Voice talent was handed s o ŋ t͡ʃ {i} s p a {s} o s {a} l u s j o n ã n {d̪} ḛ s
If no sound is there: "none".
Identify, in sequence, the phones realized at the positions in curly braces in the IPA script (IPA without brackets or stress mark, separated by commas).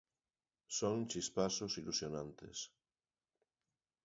i, s, i, t̪